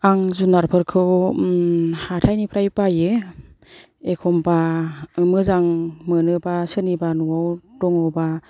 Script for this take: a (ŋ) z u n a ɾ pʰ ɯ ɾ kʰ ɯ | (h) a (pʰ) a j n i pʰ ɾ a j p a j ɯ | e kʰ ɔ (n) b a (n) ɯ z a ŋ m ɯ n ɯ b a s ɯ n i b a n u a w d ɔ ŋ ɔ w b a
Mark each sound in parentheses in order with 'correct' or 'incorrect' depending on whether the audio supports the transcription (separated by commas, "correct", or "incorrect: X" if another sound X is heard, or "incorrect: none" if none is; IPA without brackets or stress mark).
correct, correct, incorrect: tʰ, incorrect: m, incorrect: m